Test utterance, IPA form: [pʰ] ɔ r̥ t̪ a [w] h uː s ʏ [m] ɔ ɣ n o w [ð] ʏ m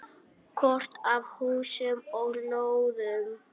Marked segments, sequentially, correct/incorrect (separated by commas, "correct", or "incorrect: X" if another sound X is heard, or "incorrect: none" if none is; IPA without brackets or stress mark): incorrect: kʰ, incorrect: v, correct, correct